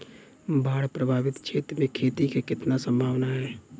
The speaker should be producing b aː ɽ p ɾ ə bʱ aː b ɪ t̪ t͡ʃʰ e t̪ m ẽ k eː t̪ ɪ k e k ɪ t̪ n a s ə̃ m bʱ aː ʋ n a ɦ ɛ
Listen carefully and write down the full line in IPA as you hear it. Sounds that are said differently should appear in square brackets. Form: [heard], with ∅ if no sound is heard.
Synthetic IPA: b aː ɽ p ɾ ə bʱ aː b ɪ t̪ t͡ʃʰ e t̪ m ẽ [kʰ] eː t̪ [i] k e k ɪ t̪ n a s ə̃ m bʱ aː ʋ n a ɦ ɛ